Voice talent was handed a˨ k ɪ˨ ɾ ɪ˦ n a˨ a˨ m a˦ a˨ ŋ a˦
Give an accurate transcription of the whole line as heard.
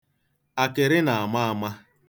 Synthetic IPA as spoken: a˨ k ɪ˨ ɾ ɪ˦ n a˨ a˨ m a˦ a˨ m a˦